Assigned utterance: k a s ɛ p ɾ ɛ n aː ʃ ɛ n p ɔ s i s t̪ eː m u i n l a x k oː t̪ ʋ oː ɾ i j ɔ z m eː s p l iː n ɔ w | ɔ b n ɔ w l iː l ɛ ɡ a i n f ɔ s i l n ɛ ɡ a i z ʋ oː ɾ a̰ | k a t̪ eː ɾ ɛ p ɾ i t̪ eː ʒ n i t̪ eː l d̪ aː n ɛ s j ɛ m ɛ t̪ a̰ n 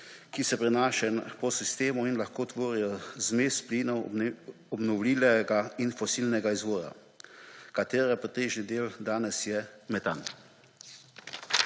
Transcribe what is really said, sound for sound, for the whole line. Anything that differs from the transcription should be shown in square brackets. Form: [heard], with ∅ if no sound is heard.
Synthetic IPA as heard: k [i] s ɛ p ɾ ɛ n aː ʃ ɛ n p ɔ s i s t̪ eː m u i n l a x k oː t̪ ʋ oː ɾ i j ɔ z m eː s p l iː n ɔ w | ɔ b n ɔ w l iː l ɛ ɡ a i n f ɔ s i l n ɛ ɡ a i z ʋ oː ɾ a̰ | k a t̪ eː ɾ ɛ p ɾ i t̪ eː ʒ n i [d̪] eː l d̪ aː n ɛ s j ɛ m ɛ t̪ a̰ n